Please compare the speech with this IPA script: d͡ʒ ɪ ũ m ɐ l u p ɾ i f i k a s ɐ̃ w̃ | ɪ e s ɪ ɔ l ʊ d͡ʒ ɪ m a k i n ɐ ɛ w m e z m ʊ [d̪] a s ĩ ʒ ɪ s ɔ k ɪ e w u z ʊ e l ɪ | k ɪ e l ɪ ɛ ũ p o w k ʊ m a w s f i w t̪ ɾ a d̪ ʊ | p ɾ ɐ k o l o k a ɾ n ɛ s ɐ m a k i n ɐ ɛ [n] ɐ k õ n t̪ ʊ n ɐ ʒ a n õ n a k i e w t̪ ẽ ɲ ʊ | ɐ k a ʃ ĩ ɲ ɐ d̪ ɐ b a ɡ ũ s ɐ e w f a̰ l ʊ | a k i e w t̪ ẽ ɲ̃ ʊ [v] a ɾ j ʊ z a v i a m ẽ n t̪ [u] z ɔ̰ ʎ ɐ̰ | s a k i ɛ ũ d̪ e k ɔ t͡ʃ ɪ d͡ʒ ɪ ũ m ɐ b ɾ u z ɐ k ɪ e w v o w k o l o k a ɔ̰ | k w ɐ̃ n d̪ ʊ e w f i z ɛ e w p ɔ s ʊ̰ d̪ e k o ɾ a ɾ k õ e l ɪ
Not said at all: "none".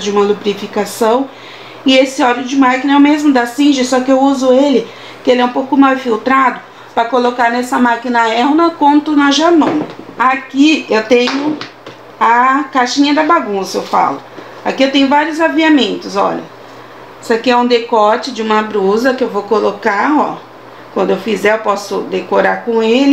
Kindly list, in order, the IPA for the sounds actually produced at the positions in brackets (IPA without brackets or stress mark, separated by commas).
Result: d̪, n, v, ʊ